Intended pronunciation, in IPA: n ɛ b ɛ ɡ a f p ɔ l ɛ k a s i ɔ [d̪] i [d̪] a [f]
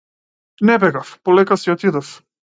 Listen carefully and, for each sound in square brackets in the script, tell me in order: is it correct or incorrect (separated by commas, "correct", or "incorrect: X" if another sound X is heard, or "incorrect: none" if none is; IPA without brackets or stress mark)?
incorrect: t̪, correct, correct